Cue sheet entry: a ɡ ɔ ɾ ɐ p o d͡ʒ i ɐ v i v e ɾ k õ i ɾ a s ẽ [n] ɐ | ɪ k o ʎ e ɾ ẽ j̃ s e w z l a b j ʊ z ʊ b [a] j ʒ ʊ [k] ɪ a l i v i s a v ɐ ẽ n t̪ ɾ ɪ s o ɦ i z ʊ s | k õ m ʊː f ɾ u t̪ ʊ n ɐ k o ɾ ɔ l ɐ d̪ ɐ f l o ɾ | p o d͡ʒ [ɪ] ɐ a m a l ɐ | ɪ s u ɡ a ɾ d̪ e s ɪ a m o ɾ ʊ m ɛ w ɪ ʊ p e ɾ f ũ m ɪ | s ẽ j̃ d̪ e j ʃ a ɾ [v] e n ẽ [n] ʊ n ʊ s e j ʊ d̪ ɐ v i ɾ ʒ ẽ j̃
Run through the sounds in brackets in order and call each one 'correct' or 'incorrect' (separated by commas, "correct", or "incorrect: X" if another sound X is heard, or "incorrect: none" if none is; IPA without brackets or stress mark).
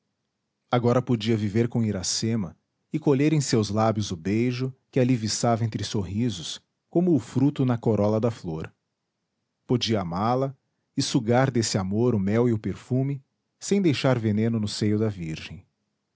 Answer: incorrect: m, incorrect: e, correct, incorrect: i, correct, correct